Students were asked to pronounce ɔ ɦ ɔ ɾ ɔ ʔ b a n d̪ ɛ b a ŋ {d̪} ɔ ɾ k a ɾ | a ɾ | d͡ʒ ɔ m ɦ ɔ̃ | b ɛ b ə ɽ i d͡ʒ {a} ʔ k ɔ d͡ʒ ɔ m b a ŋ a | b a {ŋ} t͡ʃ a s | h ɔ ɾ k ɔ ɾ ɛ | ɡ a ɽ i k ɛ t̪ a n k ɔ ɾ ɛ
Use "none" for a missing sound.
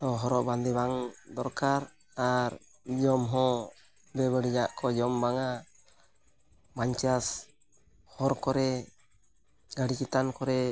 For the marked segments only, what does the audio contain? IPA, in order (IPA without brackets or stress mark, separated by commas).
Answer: d̪, a, ɲ